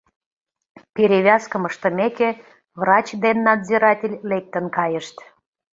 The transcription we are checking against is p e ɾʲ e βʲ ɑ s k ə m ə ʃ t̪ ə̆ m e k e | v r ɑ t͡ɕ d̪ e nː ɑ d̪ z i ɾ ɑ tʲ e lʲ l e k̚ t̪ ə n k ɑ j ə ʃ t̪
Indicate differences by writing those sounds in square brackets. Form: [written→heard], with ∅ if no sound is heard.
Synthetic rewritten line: p e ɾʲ e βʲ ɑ s k ə m ə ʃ t̪ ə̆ m e k e | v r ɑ t͡ɕ d̪ e nː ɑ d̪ z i ɾ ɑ tʲ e lʲ l e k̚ t̪ ə n k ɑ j ə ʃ t̪